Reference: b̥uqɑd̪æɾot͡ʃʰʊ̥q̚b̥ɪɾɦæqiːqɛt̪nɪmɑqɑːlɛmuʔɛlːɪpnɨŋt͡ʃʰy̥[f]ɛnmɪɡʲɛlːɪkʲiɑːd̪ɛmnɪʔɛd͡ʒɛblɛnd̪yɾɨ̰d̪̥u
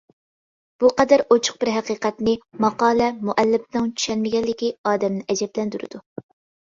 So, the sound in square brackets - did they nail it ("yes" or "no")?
no